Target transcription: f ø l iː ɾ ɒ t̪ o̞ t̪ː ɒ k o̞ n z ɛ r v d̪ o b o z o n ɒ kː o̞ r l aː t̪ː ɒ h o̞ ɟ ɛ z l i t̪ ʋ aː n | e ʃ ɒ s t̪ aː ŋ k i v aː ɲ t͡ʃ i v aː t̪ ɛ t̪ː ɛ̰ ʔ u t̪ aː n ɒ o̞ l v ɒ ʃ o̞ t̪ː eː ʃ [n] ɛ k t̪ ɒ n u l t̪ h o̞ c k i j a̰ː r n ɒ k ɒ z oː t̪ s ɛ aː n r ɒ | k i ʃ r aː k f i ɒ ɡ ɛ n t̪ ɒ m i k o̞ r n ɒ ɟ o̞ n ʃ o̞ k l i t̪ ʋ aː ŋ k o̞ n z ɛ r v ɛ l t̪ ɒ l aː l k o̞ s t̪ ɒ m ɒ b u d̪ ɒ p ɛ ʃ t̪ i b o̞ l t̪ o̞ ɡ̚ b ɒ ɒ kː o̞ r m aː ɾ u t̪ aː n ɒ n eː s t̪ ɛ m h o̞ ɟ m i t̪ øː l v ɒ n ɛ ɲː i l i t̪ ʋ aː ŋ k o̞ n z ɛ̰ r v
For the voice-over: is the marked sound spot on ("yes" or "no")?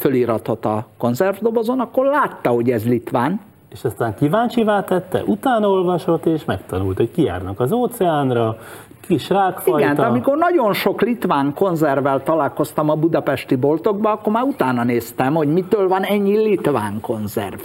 no